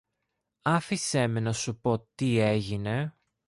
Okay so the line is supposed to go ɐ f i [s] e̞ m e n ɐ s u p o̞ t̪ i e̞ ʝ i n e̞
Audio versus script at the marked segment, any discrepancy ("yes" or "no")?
no